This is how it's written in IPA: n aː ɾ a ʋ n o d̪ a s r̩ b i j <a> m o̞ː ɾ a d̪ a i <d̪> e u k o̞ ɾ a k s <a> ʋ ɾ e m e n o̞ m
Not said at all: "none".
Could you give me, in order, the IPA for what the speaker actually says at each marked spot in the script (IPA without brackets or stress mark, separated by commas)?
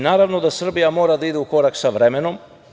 a, d̪, a